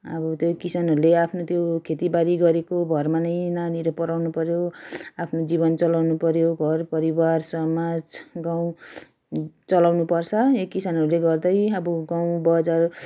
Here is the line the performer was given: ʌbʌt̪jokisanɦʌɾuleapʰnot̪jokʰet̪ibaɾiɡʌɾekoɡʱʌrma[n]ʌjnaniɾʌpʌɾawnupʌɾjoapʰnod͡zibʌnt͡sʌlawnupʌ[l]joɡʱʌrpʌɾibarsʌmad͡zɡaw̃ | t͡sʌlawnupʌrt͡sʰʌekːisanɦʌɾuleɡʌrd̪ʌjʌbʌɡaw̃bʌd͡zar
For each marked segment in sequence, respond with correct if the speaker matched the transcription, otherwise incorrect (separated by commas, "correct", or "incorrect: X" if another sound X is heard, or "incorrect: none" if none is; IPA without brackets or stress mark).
correct, incorrect: ɾ